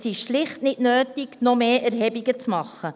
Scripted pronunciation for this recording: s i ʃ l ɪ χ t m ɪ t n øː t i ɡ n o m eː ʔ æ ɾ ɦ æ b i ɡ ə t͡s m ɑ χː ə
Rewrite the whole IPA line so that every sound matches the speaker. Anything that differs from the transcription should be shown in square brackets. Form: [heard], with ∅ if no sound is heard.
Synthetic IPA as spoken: s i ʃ l ɪ χ t [n] ɪ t n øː t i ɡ n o m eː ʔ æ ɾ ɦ [ɛ] b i ɡ ə t͡s m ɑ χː ə